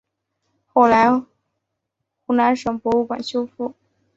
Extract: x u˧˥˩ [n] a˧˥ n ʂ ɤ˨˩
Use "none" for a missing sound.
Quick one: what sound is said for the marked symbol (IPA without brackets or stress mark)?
n